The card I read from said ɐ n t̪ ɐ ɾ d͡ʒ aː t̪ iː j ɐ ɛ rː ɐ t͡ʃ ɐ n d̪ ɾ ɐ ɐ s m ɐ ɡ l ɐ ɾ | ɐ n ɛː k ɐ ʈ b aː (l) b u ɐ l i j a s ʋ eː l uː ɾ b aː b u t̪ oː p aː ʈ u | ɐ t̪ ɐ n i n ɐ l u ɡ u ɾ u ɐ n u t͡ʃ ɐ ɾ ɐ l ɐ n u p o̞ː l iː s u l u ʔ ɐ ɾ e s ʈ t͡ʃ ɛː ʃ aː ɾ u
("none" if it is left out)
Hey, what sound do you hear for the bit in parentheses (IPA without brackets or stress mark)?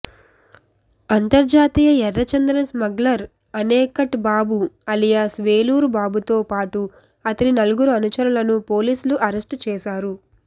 none